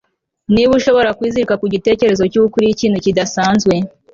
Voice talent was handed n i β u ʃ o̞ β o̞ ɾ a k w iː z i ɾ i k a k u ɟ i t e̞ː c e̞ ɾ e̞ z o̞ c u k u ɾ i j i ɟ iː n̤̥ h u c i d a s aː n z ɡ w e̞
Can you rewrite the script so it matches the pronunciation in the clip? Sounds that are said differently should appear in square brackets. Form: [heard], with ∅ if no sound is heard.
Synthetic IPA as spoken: n i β u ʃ o̞ β o̞ ɾ a k w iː z i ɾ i k a k u ɟ i t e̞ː c e̞ ɾ e̞ z o̞ c u k u ɾ i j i [c] iː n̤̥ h u c i d a s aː n z ɡ w e̞